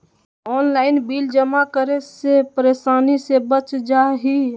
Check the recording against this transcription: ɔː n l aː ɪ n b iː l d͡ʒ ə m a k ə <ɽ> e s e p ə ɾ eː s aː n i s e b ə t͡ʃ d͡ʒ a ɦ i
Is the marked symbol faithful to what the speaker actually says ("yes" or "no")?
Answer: no